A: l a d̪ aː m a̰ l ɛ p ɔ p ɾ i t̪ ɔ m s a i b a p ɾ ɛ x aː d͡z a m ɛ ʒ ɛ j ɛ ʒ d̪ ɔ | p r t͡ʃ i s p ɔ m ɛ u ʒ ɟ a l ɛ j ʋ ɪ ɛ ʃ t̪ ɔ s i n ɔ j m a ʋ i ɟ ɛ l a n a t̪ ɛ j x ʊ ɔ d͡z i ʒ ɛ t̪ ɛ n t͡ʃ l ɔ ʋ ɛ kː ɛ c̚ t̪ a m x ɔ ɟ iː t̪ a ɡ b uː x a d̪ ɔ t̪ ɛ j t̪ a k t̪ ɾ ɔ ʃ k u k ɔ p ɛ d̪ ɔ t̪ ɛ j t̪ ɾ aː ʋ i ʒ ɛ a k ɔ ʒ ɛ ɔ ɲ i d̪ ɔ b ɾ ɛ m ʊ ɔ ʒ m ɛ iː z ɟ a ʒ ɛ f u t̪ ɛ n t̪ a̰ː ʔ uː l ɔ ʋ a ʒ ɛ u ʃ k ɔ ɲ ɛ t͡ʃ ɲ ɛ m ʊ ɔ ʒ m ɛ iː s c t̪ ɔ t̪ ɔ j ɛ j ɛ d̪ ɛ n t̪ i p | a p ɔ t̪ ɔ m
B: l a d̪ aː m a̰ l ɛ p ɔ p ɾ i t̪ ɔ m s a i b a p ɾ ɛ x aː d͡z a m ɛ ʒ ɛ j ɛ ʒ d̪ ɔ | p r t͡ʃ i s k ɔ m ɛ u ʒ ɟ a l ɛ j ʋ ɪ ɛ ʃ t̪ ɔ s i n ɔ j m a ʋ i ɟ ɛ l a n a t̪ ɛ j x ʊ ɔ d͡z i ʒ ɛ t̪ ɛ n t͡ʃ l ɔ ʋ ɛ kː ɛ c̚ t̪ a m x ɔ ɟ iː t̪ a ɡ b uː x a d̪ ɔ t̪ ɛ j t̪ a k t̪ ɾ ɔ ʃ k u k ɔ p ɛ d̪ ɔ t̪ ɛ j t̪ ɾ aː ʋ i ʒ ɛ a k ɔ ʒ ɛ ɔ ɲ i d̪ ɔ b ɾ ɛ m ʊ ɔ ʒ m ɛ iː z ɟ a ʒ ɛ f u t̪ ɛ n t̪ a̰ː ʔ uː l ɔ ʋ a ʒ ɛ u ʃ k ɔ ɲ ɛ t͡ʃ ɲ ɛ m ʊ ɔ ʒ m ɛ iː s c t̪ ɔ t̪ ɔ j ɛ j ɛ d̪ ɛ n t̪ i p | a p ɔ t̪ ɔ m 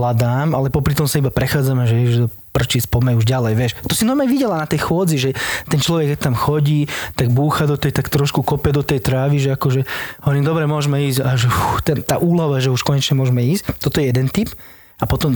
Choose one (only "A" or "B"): A